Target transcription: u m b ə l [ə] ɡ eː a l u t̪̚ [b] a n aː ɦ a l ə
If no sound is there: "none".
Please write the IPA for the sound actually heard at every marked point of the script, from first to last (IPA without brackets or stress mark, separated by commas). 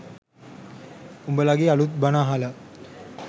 a, b